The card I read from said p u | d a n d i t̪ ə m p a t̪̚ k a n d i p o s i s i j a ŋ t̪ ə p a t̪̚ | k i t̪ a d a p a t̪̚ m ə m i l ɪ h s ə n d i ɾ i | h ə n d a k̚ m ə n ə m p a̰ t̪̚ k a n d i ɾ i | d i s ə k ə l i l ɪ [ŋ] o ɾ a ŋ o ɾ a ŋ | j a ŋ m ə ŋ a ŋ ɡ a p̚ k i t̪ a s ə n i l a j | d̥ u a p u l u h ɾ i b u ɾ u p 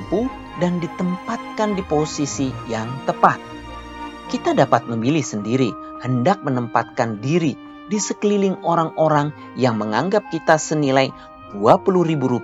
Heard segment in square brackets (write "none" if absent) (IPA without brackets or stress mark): ŋ